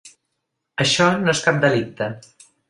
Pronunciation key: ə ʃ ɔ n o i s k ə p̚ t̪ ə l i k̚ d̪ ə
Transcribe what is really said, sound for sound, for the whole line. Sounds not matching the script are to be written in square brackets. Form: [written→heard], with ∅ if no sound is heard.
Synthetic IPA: ə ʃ ɔ n o [i→e] s k [ə→a] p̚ [t̪→d̪] ə l i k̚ [d̪→t̪] ə